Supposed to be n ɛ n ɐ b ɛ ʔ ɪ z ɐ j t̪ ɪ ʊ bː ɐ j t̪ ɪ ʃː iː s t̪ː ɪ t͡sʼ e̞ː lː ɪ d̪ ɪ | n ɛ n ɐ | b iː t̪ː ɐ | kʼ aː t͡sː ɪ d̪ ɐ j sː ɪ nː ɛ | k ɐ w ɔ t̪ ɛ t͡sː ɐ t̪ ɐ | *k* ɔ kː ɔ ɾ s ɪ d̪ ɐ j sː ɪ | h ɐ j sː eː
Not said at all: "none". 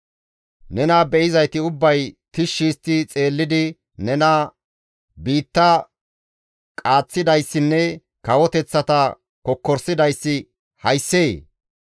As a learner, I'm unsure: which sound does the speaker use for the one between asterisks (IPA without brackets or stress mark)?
k